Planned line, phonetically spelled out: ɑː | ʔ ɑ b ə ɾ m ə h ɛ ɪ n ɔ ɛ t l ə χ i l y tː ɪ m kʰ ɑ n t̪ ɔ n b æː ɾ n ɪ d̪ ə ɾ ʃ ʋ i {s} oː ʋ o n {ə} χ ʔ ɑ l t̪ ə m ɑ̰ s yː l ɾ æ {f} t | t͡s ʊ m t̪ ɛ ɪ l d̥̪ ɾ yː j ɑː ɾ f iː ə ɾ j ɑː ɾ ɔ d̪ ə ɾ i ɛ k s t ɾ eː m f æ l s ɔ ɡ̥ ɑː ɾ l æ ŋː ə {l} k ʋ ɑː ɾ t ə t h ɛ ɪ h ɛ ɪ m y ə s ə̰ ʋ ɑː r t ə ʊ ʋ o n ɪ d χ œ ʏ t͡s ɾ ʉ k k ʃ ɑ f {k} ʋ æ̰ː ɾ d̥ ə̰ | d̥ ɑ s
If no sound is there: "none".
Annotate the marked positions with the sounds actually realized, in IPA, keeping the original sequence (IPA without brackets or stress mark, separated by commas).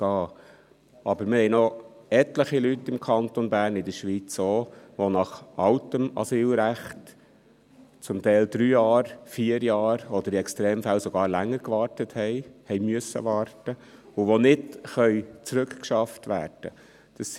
t͡s, ɑ, χ, ɾ, t